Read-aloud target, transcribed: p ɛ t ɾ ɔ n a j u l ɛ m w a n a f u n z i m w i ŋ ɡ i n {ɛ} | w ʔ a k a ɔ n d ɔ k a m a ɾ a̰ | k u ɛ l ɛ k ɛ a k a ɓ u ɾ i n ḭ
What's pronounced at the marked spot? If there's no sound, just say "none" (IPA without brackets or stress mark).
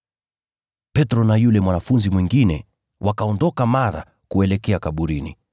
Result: ɛ